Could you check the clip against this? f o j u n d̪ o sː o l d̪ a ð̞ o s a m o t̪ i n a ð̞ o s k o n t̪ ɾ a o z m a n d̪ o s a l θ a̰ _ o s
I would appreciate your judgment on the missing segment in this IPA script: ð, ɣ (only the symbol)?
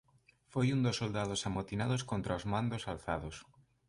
ð